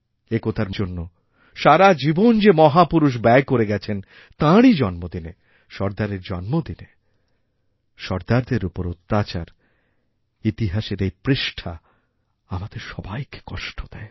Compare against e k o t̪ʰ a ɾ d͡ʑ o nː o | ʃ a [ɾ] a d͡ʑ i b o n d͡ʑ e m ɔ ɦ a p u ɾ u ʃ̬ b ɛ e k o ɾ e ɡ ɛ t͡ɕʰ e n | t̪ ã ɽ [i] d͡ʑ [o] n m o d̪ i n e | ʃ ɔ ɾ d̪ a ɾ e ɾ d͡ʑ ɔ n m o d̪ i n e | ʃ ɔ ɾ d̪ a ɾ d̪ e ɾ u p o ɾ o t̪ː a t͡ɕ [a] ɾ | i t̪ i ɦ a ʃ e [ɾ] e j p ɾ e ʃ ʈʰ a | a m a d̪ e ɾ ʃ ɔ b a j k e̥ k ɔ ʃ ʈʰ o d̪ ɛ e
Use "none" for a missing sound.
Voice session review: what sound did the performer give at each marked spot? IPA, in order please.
ɾ, i, ɔ, a, ɾ

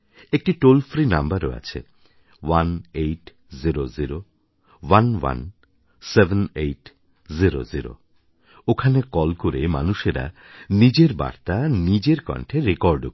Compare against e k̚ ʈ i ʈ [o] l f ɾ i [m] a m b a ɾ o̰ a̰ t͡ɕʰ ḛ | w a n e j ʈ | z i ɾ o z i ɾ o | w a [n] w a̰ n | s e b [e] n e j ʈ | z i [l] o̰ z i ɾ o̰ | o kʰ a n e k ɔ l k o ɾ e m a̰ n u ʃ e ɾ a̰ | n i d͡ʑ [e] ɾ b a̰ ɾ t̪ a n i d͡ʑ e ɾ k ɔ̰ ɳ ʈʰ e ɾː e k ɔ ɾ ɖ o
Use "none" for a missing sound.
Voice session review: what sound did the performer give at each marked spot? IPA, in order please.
o, n, n, e, ɾ, e

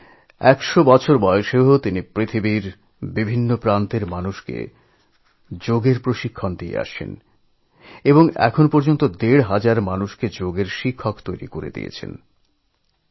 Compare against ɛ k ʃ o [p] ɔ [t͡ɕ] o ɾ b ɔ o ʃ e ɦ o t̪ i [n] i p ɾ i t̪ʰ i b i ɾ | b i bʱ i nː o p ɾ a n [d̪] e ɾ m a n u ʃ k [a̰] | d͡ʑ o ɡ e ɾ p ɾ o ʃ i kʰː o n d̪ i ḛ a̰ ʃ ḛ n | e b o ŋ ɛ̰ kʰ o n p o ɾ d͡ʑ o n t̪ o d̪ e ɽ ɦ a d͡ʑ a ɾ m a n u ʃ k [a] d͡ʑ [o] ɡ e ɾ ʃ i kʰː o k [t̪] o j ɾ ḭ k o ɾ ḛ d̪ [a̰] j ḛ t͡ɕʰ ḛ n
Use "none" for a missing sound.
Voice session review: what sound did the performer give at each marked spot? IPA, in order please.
b, t͡ɕʰ, n, t̪, ḛ, e, o, t̪, ḭ

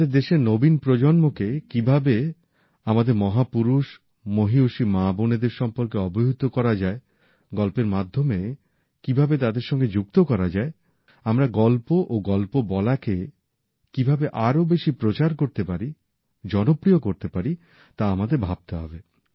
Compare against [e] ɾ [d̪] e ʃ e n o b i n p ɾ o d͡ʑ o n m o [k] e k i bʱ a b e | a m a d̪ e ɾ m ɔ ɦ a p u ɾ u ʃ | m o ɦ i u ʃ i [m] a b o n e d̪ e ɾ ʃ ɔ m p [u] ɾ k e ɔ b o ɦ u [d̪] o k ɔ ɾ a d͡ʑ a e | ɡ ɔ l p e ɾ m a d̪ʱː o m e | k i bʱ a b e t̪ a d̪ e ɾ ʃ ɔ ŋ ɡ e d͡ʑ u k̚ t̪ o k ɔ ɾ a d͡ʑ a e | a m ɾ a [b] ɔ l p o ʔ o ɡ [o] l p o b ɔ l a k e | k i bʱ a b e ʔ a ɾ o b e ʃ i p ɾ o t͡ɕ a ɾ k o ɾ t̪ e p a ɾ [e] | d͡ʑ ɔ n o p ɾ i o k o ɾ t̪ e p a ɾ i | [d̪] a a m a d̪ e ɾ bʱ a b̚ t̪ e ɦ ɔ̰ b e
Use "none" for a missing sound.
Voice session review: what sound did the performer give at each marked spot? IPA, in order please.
e, d̪, k, m, o, t̪, ɡ, ɔ, i, t̪

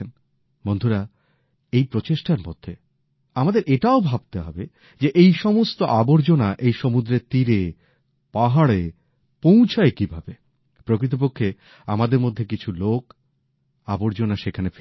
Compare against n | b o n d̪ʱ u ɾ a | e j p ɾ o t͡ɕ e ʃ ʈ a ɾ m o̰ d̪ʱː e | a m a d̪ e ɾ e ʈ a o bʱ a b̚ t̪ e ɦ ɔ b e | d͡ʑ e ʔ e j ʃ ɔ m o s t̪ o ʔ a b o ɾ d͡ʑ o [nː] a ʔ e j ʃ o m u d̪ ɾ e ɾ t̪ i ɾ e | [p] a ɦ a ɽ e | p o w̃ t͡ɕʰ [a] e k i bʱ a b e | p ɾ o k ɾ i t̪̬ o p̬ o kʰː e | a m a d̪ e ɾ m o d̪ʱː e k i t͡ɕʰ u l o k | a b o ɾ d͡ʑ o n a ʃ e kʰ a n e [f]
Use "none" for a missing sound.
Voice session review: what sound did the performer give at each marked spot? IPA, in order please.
n, p, a, f

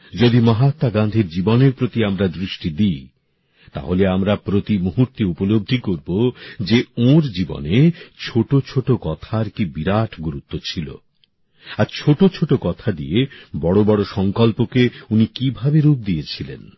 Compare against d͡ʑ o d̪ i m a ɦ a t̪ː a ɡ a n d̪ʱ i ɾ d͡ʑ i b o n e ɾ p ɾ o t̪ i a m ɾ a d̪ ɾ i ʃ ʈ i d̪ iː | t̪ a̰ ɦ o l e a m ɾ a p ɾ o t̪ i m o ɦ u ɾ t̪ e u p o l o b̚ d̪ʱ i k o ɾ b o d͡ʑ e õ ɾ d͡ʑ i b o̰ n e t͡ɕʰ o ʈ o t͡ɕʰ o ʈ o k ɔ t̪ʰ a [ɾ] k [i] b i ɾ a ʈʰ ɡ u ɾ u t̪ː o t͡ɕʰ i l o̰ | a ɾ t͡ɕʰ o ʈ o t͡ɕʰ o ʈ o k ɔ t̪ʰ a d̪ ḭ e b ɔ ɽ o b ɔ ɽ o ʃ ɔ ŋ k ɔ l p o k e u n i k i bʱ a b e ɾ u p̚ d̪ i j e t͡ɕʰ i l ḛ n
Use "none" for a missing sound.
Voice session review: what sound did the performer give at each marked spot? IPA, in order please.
ɾ, i

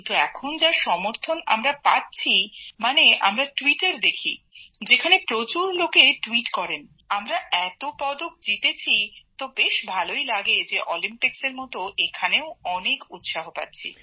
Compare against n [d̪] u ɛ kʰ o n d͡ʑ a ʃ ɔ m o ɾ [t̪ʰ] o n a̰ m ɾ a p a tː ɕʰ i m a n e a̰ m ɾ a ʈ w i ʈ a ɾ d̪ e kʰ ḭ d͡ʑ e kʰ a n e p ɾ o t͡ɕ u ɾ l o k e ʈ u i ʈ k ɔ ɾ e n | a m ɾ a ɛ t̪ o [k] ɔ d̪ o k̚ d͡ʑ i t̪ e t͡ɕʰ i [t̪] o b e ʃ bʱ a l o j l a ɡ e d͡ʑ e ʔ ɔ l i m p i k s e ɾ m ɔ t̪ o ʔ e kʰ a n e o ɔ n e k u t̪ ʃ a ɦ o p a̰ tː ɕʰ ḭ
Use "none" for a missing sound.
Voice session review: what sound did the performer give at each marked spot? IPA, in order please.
t̪, t̪ʰ, p, t̪

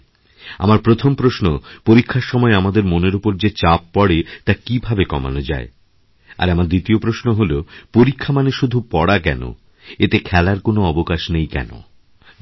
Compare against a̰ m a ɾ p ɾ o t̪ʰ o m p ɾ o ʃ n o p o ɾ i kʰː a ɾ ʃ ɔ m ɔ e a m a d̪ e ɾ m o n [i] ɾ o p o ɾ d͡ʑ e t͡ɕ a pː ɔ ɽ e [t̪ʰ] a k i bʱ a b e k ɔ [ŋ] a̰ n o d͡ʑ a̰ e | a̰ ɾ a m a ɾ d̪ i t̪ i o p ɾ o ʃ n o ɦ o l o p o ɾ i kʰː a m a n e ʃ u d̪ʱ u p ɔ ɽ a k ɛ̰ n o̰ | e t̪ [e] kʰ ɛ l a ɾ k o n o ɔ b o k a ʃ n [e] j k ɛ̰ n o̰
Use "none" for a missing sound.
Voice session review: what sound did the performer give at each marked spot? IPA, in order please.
e, t̪, m, e, e

